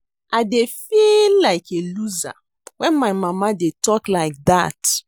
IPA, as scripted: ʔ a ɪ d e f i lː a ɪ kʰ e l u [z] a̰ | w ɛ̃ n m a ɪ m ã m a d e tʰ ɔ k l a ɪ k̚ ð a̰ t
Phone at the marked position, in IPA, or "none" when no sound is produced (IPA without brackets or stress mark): z